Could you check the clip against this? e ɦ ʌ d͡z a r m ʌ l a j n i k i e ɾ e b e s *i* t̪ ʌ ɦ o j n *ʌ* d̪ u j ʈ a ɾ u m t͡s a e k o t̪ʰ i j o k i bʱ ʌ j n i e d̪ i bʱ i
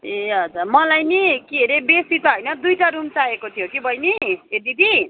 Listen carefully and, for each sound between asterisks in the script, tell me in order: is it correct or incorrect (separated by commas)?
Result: correct, correct